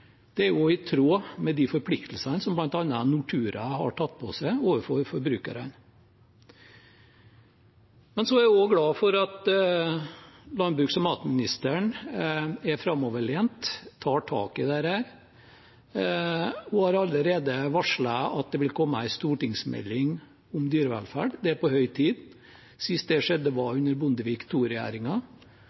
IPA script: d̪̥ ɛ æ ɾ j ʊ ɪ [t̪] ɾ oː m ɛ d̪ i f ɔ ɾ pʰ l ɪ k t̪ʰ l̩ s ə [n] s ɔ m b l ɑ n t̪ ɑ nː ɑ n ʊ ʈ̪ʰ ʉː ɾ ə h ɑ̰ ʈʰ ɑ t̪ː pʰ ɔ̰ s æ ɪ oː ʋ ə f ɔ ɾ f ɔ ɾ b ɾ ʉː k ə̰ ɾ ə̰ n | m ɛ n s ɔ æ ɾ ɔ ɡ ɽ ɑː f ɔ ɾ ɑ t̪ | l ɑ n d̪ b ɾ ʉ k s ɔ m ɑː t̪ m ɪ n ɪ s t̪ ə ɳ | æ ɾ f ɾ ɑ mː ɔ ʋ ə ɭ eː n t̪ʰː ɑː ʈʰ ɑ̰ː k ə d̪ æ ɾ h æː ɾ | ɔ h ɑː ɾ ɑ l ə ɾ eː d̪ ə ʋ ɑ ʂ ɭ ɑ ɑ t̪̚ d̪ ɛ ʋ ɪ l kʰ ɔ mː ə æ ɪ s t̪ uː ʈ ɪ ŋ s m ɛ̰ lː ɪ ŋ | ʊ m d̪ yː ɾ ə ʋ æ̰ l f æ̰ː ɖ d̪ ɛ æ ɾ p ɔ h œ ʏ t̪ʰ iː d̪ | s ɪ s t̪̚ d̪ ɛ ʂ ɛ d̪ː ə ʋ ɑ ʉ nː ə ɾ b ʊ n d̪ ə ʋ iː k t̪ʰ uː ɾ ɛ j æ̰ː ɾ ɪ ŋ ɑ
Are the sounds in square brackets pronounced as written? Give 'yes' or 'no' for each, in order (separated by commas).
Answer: no, yes